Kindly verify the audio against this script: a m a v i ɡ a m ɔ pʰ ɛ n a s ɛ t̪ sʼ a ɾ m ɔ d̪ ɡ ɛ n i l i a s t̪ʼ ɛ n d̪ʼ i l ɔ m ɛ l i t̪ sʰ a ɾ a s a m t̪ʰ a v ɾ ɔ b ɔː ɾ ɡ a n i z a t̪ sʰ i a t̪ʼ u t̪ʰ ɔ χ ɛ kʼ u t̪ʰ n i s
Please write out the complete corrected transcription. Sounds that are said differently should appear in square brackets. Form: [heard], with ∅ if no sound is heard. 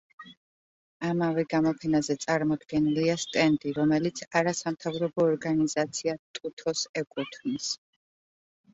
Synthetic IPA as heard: a m a v [ɛ] ɡ a m ɔ pʰ ɛ n a [z] ɛ t̪ sʼ a ɾ m ɔ d̪ ɡ ɛ n i l i a s t̪ʼ ɛ n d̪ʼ i [ɾ] ɔ m ɛ l i t̪ sʰ a ɾ a s a m t̪ʰ a v ɾ ɔ b ɔː ɾ ɡ a n i z a t̪ sʰ i a t̪ʼ u t̪ʰ ɔ [s] ɛ kʼ u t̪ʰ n i s